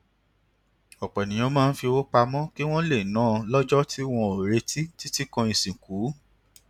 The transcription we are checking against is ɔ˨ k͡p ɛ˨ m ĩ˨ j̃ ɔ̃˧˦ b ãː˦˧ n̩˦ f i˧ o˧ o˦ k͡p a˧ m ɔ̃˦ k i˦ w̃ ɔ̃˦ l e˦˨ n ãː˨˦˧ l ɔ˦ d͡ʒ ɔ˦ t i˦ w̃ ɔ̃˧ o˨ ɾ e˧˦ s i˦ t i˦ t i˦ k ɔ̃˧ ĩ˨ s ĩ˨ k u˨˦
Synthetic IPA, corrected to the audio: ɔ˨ k͡p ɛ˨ n ĩ˨ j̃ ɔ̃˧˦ m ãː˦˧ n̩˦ f i˧ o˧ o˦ k͡p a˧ m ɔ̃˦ k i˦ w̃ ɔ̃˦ l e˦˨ n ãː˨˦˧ l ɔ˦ d͡ʒ ɔ˦ t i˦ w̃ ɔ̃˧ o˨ ɾ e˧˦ t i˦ t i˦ t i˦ k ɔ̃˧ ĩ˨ s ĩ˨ k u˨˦